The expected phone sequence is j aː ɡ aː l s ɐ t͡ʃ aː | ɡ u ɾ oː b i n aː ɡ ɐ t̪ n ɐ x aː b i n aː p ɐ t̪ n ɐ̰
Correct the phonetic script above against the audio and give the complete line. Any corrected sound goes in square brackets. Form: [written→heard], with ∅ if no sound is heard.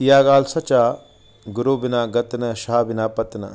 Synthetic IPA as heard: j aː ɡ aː l s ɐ t͡ʃ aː | ɡ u ɾ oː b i n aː ɡ ɐ t̪ n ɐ [x→ʃ] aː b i n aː p ɐ t̪ n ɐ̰